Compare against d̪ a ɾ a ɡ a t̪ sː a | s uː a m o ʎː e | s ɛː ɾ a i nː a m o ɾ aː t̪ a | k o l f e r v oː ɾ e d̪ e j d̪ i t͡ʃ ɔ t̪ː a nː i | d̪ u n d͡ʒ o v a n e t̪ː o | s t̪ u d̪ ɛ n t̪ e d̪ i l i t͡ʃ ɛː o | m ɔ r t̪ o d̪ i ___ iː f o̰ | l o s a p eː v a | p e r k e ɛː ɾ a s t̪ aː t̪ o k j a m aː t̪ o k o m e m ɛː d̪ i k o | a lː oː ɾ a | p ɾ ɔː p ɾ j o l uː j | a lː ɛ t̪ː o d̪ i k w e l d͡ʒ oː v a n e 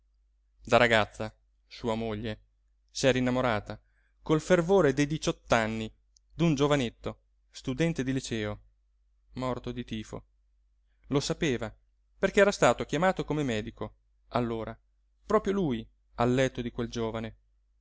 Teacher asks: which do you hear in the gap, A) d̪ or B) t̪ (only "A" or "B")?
B